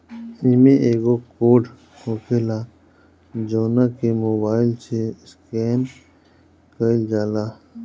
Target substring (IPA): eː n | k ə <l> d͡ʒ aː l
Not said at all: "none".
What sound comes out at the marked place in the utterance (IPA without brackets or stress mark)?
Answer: l